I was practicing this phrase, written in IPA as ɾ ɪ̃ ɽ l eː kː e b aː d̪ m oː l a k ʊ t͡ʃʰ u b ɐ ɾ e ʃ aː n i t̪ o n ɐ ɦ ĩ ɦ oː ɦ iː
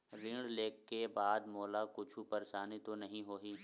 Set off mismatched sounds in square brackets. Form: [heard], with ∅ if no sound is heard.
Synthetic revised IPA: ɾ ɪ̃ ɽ l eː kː e b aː d̪ m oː l a k ʊ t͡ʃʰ u [p] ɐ ɾ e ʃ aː n i t̪ o n ɐ ɦ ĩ ɦ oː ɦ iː